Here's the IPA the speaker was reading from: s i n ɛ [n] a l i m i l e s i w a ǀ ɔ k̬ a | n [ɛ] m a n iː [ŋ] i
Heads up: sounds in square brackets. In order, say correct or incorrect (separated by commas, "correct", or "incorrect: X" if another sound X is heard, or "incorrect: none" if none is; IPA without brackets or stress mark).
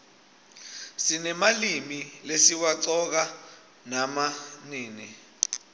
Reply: incorrect: m, incorrect: a, incorrect: n